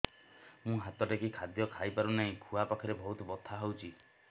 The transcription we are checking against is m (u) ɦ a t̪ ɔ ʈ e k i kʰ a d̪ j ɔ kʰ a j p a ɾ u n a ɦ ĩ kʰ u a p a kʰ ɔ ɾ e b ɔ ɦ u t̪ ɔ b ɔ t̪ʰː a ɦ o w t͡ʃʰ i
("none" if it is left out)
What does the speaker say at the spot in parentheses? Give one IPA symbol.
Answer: ũ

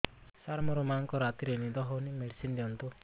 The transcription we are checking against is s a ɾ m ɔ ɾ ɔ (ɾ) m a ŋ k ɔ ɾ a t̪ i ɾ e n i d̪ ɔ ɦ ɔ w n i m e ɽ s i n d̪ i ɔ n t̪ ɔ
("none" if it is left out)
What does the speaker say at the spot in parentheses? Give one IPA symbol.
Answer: none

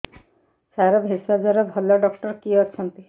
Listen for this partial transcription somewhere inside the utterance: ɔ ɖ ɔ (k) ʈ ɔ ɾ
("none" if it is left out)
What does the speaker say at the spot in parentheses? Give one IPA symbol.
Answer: k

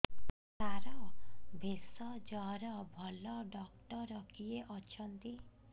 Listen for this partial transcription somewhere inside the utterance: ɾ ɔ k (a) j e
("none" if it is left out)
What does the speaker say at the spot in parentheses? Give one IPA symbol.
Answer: i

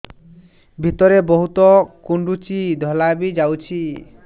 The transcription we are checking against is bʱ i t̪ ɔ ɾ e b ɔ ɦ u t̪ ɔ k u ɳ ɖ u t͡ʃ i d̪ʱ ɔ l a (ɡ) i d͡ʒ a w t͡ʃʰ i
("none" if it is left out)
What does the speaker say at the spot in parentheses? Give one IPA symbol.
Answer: b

